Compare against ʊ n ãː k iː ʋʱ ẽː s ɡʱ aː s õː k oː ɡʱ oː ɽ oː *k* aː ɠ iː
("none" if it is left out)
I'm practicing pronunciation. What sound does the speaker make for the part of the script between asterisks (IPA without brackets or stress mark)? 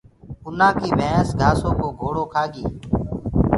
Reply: kʰ